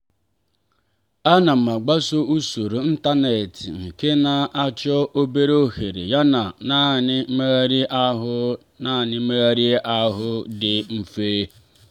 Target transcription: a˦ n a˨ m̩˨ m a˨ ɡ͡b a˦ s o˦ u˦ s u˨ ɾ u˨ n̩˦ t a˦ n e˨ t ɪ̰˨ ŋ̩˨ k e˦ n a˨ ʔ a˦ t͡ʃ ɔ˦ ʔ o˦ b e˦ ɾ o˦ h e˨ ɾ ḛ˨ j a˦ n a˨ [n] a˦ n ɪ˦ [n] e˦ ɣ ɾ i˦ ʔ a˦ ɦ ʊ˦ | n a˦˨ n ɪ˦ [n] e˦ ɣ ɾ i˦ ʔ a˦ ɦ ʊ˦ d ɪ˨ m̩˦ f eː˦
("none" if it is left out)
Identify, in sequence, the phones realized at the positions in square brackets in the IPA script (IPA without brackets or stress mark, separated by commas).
n, m, m